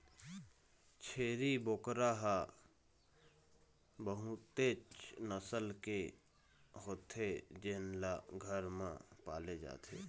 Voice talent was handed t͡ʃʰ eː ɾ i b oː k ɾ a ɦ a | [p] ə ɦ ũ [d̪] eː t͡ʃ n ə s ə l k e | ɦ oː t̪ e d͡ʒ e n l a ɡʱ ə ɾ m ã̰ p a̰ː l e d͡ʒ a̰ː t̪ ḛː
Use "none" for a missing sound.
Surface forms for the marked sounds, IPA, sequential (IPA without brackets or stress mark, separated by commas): b, t̪